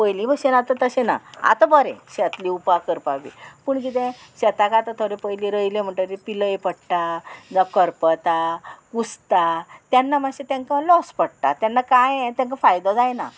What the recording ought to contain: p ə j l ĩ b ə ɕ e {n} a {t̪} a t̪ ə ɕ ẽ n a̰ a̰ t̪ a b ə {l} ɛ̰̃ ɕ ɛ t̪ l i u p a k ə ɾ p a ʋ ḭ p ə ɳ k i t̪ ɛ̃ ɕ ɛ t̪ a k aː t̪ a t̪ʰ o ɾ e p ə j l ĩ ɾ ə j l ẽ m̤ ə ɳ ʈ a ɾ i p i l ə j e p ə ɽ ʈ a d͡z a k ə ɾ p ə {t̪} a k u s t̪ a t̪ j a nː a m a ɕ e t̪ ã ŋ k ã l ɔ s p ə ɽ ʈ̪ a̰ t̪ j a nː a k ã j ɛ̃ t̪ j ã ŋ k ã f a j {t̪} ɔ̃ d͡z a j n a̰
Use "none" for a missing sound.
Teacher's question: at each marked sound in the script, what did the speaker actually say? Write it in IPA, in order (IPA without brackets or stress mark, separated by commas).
n, t̪, ɾ, t̪, d̪